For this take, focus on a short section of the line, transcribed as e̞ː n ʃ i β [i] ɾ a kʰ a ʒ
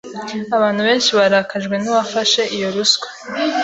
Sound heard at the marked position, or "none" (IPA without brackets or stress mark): a